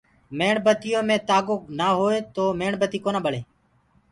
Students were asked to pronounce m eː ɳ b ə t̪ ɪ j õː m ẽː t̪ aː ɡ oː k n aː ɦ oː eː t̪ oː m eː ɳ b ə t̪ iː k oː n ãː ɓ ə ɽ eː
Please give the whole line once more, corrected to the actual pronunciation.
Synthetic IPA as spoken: m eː ɳ b ə t̪ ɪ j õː m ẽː t̪ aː ɡ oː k n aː ɦ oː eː t̪ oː m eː ɳ b ə t̪ iː k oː n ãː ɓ ə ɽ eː